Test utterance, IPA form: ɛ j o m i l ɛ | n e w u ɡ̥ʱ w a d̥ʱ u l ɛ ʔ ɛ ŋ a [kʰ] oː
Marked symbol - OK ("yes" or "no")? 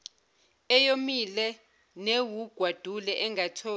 no